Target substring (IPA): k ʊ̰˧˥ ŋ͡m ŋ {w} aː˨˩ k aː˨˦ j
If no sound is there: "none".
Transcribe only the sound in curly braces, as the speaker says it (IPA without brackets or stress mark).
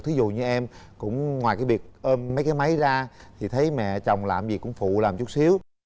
w